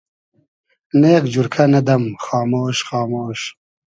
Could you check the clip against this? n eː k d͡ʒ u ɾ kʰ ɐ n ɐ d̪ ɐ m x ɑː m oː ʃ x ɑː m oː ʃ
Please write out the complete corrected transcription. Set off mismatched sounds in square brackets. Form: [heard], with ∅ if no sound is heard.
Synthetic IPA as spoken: n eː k d͡ʒ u ɾ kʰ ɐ n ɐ d̪ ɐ m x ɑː m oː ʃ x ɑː m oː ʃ

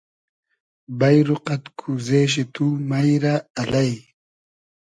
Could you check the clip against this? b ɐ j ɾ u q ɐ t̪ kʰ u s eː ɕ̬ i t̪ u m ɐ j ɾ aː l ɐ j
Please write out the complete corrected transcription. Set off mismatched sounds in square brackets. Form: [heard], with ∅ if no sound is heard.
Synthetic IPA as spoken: b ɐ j ɾ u q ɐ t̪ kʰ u [z] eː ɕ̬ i t̪ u m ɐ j ɾ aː l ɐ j

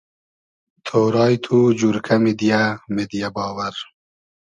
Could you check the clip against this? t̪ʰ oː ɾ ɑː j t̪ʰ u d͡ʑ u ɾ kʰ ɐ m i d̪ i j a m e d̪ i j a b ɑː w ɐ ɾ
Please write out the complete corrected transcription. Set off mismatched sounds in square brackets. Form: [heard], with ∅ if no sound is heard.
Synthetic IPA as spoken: t̪ʰ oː ɾ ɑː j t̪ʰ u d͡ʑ u ɾ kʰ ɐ m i d̪ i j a m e d̪ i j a b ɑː w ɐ ɾ

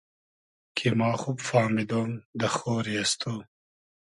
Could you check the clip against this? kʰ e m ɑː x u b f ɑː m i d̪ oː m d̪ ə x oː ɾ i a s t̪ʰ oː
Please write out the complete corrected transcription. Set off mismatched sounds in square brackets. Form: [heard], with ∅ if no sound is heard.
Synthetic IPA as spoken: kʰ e m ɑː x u b f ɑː m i d̪ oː m d̪ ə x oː ɾ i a s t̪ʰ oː

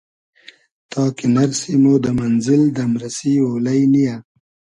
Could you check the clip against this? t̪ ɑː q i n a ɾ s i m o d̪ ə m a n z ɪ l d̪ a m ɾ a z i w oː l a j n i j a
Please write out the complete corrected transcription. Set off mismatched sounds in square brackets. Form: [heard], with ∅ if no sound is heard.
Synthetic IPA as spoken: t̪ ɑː [k] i n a ɾ s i m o d̪ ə m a n z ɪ l d̪ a m ɾ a [s] i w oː l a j n i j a

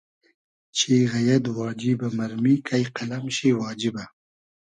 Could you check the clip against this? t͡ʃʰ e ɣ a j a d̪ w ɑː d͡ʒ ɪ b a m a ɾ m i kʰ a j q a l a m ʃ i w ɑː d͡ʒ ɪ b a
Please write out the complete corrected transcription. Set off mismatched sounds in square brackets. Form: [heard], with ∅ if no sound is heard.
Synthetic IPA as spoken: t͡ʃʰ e ɣ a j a d̪ w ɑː d͡ʒ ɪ b a m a ɾ m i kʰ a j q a l a m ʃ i w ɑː d͡ʒ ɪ b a

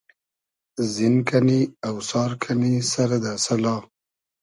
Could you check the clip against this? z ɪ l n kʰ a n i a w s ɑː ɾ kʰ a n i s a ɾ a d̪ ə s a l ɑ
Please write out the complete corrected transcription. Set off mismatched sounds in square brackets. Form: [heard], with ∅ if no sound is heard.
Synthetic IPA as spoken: z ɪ [∅] n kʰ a n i a w s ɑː ɾ kʰ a n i s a ɾ a d̪ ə s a l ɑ

